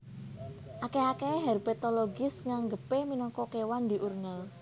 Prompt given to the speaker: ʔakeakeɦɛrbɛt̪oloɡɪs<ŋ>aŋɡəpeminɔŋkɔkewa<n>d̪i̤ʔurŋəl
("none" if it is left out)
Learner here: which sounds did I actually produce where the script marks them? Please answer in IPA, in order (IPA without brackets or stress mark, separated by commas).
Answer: ŋ, n